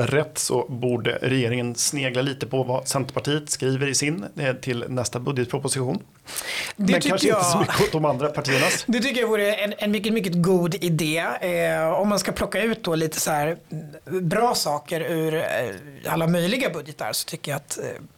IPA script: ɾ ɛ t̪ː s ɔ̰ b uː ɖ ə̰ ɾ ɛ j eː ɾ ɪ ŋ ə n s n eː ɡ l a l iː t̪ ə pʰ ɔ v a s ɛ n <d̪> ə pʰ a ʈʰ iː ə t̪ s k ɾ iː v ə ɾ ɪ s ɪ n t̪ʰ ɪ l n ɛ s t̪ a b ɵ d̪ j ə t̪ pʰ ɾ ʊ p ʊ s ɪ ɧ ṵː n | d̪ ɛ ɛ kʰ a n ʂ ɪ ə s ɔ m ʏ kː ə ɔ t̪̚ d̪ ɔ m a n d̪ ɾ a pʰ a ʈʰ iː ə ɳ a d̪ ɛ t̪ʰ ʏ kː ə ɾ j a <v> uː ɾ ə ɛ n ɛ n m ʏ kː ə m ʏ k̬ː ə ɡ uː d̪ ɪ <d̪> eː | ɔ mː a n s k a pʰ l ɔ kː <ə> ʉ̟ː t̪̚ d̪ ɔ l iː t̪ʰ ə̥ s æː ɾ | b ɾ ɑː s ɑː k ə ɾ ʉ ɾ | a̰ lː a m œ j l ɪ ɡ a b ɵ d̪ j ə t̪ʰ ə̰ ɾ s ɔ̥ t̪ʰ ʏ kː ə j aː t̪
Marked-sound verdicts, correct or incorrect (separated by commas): incorrect, correct, correct, incorrect